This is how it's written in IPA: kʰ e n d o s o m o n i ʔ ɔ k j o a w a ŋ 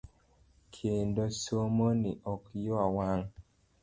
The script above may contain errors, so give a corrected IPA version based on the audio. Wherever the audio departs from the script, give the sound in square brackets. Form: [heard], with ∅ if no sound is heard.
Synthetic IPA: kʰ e n d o s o m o n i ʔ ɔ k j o a w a ŋ